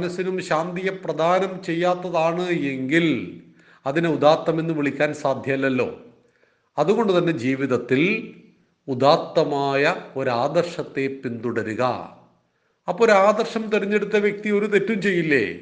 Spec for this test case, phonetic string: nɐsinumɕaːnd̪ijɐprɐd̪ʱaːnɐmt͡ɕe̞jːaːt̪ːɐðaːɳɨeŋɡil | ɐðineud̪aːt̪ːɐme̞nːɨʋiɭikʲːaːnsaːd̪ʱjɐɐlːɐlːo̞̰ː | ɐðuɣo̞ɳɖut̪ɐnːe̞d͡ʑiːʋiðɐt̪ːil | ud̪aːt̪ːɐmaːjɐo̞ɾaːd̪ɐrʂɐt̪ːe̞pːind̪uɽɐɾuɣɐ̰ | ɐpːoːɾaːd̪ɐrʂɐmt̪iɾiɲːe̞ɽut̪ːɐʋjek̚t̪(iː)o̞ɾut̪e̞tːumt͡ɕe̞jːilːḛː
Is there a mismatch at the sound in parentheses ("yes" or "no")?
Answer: yes